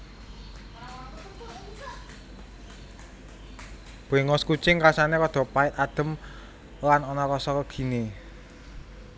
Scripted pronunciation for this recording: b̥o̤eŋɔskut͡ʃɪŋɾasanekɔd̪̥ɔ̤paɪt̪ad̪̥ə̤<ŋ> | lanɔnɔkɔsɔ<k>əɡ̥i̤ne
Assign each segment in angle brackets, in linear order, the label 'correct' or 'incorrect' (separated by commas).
incorrect, correct